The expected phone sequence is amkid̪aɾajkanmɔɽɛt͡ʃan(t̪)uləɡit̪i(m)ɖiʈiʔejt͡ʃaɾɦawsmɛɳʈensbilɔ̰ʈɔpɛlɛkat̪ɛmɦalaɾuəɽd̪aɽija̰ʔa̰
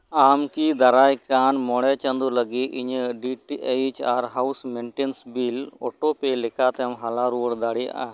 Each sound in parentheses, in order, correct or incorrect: incorrect: d̪, incorrect: ɲ

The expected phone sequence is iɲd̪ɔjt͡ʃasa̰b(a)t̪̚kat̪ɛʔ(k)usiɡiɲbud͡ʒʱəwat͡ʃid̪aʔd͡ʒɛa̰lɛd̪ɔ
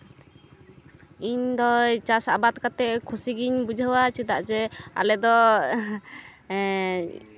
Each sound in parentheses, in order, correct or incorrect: correct, incorrect: kʰ

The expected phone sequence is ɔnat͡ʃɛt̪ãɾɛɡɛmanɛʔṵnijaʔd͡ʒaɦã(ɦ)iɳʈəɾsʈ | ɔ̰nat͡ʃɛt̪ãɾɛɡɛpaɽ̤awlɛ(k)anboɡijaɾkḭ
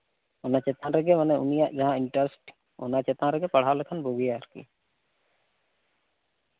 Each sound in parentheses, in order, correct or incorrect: incorrect: none, incorrect: kʰ

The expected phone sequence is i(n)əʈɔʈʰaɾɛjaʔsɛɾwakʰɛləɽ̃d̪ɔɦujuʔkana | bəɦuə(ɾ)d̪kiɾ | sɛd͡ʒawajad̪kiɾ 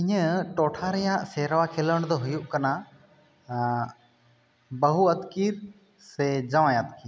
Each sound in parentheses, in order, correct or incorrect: incorrect: ɲ, incorrect: none

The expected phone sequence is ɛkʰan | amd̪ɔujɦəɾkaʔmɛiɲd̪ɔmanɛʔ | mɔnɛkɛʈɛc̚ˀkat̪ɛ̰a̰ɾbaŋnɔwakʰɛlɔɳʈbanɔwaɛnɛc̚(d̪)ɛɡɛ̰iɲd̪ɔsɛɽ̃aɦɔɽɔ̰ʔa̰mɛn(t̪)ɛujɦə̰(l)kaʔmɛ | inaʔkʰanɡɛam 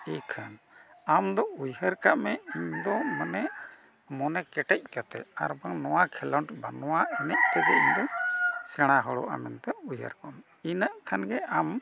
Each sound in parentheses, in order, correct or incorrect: incorrect: t̪, correct, incorrect: ɾ

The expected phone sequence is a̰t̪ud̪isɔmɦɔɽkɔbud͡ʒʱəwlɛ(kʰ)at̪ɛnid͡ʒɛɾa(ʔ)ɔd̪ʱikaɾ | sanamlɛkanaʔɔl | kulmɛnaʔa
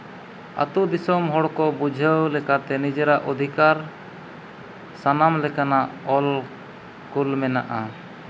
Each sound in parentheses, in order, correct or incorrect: incorrect: k, correct

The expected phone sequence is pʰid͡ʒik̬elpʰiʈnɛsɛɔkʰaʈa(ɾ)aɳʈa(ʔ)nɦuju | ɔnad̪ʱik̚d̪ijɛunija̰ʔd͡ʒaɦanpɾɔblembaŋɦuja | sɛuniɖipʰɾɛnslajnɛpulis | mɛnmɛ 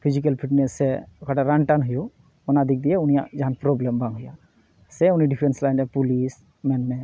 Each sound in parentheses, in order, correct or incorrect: correct, incorrect: none

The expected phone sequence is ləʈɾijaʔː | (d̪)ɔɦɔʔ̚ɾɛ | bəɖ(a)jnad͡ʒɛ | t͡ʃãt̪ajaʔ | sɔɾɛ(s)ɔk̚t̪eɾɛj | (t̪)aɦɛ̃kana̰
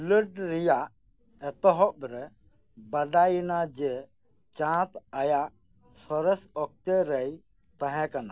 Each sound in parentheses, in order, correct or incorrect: incorrect: t̪, correct, correct, correct

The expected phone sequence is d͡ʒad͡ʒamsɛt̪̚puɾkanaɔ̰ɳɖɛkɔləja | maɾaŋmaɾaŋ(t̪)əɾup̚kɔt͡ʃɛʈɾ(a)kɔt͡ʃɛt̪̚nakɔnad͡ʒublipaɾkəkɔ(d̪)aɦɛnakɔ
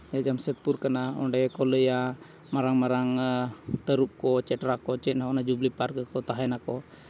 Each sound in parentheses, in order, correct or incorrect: correct, correct, incorrect: t̪

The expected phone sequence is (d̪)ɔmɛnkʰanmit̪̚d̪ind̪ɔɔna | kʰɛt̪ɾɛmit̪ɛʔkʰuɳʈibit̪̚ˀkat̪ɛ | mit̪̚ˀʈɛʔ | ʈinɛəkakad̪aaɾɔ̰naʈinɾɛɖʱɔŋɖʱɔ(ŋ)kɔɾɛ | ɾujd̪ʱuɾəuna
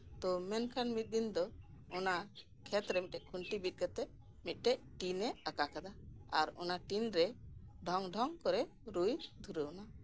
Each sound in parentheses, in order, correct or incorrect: incorrect: t̪, correct

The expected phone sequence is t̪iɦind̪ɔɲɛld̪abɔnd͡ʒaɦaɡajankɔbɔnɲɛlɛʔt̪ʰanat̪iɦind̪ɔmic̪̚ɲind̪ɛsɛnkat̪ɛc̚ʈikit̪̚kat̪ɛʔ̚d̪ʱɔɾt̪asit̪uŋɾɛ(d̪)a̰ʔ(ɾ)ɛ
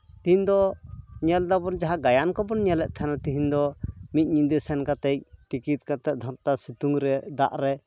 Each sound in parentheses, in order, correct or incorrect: correct, correct

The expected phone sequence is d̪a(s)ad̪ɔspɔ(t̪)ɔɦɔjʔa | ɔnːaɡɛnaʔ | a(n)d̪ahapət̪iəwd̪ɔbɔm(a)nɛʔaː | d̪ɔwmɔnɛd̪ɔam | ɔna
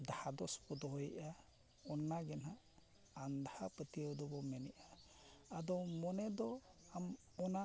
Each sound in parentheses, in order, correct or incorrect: incorrect: h, incorrect: d̪, correct, incorrect: ɛ

